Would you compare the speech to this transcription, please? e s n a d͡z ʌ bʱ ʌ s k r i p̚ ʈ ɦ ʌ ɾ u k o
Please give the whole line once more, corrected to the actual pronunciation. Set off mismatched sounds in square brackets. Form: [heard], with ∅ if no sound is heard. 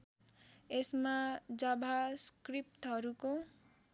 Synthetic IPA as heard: e s [m] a d͡z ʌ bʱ [a] s k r i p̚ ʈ ɦ ʌ ɾ u k o